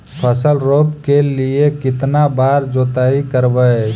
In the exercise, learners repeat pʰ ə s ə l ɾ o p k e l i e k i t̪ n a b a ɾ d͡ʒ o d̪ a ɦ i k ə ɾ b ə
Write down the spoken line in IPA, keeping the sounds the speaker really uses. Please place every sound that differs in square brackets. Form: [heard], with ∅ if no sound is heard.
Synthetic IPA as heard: pʰ ə s ə l ɾ o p k e l i e k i t̪ n a b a ɾ d͡ʒ o [t̪] a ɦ i k ə ɾ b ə